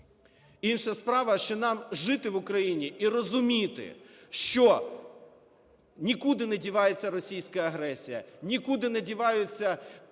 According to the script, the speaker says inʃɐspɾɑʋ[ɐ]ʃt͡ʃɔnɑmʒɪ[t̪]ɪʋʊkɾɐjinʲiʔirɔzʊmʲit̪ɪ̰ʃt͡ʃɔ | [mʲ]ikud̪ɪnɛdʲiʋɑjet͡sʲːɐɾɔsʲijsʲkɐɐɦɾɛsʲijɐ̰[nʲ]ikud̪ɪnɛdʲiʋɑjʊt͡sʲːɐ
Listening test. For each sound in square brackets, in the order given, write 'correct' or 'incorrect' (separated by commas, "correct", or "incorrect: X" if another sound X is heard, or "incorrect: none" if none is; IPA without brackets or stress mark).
correct, correct, incorrect: nʲ, correct